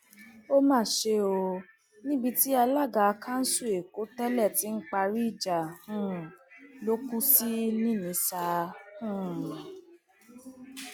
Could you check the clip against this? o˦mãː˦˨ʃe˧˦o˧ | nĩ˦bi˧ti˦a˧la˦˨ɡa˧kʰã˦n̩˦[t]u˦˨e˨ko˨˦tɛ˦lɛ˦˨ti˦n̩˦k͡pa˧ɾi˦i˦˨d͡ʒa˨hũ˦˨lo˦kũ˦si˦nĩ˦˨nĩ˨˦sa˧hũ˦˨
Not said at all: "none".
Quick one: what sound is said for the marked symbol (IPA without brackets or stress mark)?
s